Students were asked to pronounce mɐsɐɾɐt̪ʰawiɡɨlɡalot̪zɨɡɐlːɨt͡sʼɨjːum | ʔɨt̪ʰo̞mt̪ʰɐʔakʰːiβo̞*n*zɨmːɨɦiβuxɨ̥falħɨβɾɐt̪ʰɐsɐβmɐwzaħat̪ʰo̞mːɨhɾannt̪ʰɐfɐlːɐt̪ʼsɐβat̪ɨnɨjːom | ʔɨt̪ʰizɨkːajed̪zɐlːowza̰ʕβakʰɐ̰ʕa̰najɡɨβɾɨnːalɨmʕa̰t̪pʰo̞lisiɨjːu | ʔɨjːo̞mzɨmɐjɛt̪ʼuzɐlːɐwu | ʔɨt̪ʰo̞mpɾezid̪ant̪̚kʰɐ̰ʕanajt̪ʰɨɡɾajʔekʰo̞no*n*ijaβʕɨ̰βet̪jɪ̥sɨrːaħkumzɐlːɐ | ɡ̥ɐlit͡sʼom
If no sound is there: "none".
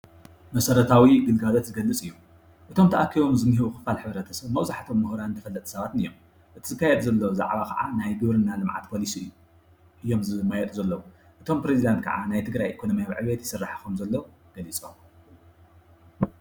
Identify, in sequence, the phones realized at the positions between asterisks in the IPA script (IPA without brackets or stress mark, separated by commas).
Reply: m, m